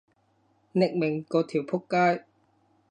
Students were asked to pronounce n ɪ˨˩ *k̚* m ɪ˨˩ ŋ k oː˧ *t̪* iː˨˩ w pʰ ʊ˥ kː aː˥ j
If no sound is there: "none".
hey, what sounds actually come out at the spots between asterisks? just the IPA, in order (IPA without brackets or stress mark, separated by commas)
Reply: k̚, t̪ʰ